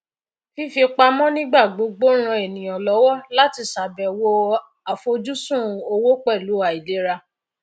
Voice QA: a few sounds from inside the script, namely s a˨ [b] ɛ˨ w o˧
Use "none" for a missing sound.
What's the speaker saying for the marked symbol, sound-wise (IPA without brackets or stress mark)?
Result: b